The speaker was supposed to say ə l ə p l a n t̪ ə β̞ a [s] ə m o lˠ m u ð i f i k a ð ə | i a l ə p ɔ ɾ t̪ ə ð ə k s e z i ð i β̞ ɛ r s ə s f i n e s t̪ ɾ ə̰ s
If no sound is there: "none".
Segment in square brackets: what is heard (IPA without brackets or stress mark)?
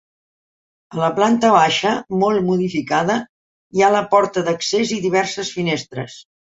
ʃ